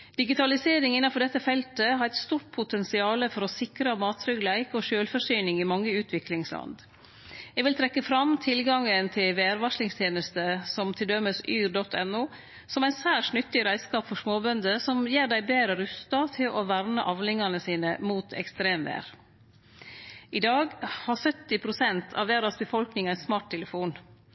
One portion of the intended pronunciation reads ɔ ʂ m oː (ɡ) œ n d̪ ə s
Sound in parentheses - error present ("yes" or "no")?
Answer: yes